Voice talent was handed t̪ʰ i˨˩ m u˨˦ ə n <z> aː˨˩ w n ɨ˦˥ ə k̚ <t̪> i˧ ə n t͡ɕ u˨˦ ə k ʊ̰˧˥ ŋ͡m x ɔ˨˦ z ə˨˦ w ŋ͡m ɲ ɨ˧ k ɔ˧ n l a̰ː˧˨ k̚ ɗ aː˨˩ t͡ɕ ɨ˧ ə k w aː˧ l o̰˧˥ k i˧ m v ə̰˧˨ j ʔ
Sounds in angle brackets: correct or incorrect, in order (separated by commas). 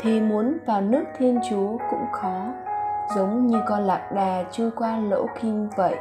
incorrect, incorrect